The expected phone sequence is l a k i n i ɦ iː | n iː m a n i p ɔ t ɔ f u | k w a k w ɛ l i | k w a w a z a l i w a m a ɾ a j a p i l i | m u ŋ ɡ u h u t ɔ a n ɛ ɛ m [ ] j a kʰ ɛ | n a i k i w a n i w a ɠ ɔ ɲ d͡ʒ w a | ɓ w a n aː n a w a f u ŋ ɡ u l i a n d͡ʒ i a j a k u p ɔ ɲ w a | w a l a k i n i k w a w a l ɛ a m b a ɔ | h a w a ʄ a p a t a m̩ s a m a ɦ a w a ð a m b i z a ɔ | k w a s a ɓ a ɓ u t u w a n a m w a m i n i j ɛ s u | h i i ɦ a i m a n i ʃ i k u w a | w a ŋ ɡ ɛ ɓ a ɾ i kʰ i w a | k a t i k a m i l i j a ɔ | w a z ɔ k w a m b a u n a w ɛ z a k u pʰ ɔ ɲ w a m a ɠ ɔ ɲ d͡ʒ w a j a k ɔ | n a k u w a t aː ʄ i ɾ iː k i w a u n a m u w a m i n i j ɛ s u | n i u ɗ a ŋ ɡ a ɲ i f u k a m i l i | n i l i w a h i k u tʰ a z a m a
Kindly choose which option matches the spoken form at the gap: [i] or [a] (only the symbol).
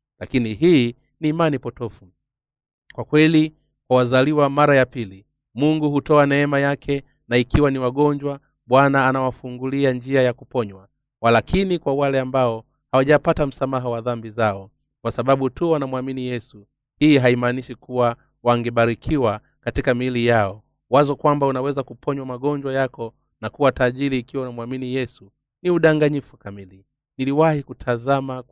a